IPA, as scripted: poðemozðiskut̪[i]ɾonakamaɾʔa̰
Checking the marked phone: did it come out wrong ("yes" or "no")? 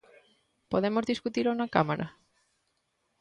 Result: no